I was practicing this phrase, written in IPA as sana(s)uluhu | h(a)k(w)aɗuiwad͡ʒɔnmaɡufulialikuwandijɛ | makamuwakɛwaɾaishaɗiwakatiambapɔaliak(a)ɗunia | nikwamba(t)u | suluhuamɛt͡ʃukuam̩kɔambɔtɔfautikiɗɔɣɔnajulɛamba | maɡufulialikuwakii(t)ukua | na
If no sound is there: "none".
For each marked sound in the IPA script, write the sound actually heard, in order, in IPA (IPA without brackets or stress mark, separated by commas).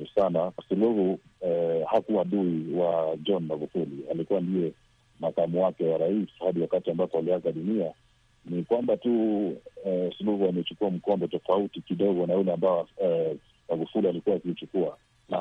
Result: s, a, u, a, t, t͡ʃ